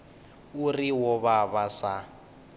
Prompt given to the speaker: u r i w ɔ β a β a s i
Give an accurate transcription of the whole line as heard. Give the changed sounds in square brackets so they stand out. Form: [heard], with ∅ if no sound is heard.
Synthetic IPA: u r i w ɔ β a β a s [a]